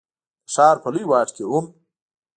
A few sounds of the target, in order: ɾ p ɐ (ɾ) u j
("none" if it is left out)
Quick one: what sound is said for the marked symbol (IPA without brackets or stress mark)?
l